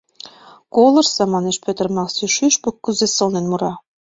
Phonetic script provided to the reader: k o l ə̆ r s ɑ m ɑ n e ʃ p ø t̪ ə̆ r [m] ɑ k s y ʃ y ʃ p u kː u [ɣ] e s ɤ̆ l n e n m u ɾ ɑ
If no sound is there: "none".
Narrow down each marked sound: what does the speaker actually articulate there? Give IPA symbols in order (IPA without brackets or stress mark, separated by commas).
m, z